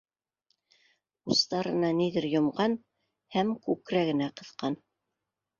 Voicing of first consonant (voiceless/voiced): voiceless